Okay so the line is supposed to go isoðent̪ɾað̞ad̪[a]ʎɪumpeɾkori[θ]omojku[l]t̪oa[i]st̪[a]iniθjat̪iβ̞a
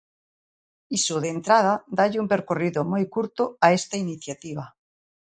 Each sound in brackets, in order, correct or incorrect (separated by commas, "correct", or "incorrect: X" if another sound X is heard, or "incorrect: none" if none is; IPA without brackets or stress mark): correct, incorrect: ð, incorrect: ɾ, incorrect: e, correct